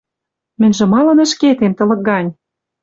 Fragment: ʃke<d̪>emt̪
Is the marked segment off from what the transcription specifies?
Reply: yes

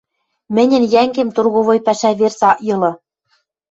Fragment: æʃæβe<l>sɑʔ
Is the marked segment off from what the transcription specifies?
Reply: yes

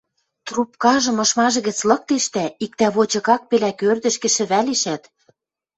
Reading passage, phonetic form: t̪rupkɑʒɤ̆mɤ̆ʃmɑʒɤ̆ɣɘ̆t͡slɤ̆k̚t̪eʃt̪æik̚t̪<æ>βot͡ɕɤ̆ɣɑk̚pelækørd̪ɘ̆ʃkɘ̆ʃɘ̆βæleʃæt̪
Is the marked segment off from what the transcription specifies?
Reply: no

